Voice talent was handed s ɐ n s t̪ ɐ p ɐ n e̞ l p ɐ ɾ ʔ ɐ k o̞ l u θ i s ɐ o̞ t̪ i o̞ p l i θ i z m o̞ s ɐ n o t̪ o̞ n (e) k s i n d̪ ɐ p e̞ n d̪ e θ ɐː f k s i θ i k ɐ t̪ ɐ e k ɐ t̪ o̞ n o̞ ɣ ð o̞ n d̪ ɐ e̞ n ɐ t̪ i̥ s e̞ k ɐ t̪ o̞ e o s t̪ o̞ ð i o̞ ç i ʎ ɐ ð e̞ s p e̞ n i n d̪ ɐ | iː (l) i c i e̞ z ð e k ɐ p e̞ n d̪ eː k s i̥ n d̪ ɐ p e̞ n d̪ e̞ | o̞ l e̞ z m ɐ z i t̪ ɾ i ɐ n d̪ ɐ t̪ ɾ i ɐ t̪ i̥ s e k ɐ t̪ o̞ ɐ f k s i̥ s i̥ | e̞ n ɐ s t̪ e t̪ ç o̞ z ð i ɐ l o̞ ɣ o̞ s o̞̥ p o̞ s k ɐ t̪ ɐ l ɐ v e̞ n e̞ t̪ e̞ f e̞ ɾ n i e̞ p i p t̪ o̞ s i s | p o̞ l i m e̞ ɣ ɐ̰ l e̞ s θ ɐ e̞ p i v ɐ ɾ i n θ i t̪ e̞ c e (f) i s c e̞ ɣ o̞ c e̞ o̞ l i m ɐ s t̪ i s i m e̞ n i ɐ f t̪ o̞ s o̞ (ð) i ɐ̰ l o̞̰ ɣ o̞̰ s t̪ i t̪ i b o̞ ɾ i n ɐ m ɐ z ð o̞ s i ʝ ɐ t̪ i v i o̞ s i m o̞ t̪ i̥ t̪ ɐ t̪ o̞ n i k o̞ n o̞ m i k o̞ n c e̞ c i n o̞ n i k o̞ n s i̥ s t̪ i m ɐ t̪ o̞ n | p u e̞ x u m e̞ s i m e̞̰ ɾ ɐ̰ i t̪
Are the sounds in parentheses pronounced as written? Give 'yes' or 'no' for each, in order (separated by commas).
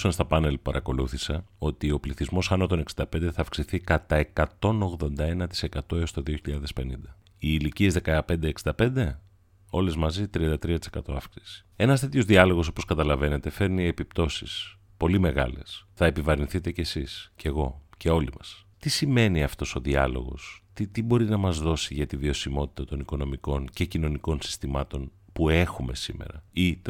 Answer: yes, yes, no, yes